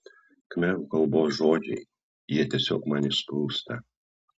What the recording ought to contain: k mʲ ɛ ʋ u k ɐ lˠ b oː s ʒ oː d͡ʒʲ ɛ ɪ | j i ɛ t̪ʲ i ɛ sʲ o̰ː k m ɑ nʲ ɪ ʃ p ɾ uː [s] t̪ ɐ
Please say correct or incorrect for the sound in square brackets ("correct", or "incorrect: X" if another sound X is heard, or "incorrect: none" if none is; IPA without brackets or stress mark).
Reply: correct